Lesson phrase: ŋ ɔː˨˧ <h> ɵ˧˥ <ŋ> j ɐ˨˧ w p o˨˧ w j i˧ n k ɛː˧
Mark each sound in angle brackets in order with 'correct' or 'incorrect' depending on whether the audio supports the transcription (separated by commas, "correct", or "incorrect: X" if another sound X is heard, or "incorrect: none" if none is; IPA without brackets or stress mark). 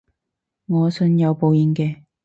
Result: incorrect: s, incorrect: n